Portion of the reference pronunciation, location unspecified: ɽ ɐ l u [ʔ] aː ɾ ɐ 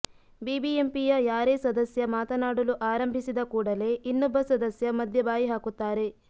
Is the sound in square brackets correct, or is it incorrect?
correct